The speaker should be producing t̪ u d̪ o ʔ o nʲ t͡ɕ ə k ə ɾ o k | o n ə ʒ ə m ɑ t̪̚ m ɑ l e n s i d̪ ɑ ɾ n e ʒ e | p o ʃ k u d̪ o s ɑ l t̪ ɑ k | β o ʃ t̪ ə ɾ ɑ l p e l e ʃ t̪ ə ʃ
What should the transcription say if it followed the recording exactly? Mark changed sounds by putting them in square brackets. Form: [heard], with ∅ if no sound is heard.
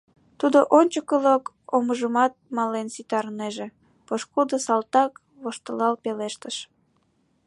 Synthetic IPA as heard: t̪ u d̪ o ʔ o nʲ t͡ɕ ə k ə [l] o k | o [m] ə ʒ ə m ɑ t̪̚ m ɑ l e n s i [t̪] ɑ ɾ n e ʒ e | p o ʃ k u d̪ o s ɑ l t̪ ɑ k | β o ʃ t̪ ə [l] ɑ l p e l e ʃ t̪ ə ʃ